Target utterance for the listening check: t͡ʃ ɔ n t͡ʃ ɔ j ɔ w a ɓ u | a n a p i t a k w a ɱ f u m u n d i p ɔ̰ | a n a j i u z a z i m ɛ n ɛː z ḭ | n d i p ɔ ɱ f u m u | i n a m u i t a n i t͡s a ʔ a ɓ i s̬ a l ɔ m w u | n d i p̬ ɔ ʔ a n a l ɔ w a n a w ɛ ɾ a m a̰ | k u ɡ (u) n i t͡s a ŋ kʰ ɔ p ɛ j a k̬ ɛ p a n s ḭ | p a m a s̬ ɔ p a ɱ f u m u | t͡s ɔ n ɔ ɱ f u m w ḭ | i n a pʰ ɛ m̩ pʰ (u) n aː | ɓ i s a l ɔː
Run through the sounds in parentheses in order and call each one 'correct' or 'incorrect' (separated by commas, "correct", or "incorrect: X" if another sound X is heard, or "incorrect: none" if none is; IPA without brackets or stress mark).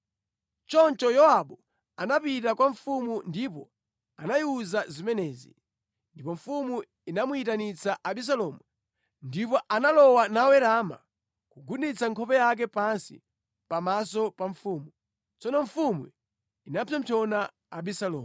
correct, incorrect: ɔ